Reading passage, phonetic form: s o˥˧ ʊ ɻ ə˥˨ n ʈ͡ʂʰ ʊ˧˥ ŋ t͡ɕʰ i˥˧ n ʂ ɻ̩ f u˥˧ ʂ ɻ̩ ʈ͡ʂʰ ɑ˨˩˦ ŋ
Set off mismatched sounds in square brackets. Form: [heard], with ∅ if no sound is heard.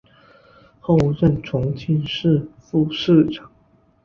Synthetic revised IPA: [x] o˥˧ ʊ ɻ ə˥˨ n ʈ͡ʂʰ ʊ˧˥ ŋ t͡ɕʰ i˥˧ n ʂ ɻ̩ f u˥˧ ʂ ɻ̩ [ʈ͡ʂ] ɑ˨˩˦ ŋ